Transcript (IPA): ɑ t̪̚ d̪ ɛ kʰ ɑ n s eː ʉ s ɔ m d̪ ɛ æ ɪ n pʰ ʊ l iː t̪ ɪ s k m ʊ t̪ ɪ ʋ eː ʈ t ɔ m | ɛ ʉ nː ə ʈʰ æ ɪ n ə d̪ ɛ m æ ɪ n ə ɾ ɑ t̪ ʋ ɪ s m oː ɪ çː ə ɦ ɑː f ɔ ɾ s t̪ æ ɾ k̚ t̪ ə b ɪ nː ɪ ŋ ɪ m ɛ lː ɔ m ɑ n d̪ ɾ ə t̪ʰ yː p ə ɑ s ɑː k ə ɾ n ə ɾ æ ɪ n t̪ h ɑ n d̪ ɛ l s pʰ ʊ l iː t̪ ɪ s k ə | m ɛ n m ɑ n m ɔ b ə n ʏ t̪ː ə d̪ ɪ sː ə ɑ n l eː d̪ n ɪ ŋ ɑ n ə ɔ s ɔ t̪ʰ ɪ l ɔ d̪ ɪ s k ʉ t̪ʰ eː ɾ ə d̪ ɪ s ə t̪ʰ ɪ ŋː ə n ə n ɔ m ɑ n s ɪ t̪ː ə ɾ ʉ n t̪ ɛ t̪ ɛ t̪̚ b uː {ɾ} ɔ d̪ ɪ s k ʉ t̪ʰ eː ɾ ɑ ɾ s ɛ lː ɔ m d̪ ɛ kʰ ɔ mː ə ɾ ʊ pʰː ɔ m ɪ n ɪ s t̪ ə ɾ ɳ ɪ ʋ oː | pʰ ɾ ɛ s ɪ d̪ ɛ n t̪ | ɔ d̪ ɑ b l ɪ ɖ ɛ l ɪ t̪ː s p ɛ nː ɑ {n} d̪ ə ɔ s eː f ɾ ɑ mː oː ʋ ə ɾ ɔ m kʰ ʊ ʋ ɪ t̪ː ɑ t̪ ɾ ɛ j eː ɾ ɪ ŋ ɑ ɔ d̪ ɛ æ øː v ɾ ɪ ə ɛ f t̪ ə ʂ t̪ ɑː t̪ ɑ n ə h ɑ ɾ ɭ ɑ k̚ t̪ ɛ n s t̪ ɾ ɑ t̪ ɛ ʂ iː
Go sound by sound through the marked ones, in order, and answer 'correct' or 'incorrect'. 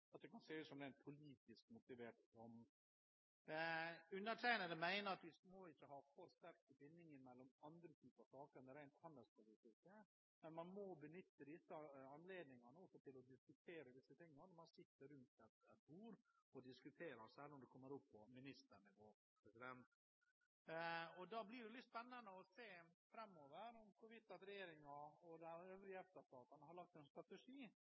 correct, correct

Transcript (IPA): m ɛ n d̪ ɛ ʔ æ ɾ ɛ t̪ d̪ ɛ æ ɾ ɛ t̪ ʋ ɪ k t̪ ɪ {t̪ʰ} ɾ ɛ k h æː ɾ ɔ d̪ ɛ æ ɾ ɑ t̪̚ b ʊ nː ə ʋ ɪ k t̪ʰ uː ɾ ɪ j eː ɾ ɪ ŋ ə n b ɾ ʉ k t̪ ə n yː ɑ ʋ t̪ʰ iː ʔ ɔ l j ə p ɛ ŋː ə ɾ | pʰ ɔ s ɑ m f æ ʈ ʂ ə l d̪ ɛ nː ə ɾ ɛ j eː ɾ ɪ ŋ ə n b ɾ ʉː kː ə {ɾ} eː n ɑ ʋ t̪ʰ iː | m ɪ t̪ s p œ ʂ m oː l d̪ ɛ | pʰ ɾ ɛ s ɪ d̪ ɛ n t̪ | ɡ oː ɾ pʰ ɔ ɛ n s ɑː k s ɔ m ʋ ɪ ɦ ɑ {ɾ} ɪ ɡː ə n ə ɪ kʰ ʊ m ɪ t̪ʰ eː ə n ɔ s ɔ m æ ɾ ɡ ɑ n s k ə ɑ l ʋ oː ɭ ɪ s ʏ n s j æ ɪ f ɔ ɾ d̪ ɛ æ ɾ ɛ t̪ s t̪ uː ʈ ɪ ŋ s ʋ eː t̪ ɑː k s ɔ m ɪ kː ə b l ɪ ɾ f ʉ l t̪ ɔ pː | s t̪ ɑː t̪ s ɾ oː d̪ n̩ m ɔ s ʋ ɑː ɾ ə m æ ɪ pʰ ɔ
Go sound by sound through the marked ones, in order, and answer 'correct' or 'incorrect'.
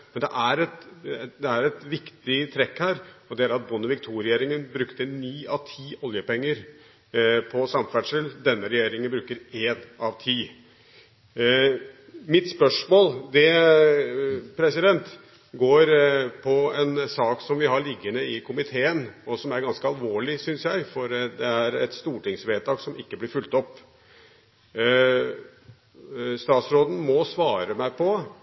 correct, correct, incorrect

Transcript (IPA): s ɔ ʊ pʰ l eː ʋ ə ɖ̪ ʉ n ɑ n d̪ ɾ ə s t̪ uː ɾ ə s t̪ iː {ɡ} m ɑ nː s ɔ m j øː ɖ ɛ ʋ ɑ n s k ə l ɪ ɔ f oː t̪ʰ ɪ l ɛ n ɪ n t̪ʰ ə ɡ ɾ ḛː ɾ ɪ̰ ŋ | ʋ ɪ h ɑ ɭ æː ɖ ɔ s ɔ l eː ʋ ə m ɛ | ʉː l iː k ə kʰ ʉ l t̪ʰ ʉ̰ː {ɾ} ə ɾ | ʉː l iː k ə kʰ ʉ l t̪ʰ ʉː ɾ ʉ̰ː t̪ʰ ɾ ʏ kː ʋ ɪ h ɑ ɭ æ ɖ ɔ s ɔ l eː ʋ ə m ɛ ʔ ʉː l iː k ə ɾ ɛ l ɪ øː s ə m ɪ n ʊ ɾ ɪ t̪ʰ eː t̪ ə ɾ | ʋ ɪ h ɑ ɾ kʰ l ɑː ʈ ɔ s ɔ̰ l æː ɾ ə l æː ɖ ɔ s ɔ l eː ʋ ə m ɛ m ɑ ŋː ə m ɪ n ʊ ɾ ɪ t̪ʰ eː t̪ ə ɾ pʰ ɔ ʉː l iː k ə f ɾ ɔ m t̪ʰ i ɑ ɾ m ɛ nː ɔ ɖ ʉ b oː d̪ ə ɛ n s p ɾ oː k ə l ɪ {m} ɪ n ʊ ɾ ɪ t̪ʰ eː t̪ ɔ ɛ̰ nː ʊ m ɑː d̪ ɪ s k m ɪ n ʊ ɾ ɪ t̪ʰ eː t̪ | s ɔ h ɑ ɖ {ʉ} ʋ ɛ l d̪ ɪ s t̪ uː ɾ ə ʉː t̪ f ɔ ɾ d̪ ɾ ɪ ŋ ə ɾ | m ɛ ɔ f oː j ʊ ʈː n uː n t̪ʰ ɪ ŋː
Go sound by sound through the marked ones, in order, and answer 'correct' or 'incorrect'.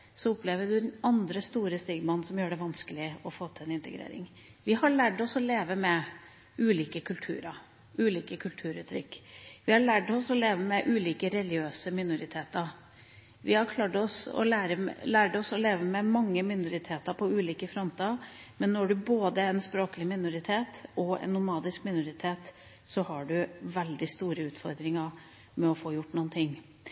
correct, correct, correct, correct

